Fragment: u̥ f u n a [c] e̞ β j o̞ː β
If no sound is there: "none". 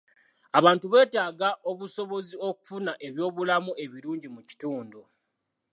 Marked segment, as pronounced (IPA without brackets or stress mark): ʔ